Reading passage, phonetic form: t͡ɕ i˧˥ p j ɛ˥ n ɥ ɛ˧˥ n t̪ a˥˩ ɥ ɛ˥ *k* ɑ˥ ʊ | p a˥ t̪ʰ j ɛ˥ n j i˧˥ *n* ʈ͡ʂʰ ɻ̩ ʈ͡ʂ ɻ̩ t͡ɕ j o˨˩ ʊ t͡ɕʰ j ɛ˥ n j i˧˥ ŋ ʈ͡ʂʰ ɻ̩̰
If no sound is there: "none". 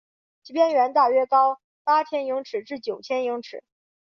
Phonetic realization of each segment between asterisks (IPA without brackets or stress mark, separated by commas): k, ŋ